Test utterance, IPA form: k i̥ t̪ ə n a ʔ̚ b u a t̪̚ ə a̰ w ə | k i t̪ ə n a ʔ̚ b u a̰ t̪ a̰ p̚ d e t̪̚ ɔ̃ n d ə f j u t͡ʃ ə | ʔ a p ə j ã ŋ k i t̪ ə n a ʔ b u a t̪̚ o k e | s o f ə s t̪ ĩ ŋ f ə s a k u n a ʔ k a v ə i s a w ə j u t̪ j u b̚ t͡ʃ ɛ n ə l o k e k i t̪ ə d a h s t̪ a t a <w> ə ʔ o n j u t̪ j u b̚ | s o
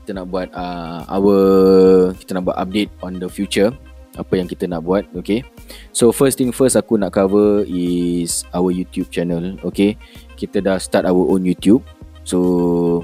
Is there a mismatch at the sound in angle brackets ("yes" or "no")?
no